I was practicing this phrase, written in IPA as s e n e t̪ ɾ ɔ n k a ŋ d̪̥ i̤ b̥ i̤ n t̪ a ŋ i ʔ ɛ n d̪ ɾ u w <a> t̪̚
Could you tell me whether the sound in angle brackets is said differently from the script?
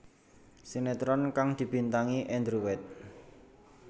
yes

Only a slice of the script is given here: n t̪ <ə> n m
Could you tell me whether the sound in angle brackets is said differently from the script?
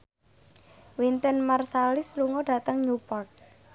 no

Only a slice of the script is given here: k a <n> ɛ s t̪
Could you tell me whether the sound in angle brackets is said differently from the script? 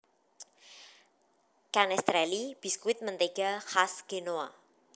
no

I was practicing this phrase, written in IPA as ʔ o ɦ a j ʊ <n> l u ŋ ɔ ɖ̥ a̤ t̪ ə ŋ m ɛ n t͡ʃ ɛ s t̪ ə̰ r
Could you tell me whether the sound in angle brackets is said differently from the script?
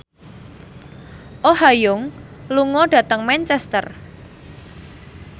yes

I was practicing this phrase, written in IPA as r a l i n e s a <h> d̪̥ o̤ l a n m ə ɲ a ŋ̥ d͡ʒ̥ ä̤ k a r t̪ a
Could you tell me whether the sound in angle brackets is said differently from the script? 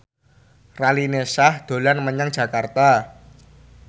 no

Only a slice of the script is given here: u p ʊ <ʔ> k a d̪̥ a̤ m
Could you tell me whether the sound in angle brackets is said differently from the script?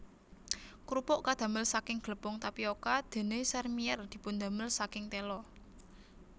no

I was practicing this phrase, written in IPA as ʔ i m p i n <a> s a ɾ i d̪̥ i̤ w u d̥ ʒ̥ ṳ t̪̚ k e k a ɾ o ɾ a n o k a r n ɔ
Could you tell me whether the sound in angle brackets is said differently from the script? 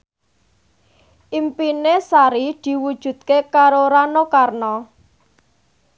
yes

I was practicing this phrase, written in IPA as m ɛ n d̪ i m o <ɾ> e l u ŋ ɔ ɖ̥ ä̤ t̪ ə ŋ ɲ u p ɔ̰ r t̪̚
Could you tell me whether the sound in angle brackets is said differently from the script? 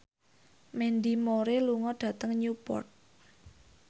no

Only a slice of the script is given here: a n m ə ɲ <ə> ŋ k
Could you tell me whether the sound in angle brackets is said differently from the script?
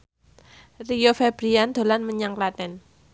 yes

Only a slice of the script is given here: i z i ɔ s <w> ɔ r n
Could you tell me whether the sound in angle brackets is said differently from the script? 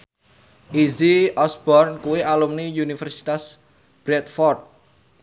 yes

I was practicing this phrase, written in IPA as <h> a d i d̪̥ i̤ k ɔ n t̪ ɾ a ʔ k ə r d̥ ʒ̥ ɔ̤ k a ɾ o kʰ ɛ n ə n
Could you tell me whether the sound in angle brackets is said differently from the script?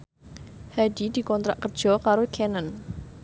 no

